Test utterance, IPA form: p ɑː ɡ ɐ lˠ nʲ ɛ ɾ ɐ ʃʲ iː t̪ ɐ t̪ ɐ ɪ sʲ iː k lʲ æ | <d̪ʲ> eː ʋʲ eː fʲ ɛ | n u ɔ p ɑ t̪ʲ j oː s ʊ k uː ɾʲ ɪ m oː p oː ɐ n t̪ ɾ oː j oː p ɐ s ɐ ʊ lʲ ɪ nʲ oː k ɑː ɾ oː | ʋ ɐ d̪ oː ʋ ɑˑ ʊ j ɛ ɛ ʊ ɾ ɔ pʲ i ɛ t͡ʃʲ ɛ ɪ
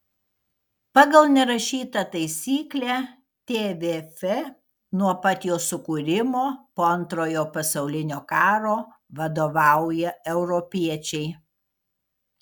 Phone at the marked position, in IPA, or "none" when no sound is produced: t̪ʲ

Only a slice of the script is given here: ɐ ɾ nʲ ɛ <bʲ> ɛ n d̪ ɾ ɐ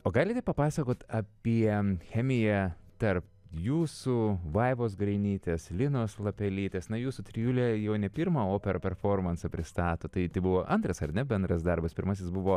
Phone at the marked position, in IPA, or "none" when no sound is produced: bʲ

